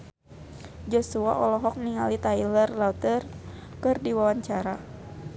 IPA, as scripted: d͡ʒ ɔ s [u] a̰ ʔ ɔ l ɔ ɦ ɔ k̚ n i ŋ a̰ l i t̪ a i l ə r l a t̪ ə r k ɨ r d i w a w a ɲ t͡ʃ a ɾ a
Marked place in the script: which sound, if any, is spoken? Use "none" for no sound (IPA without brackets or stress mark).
u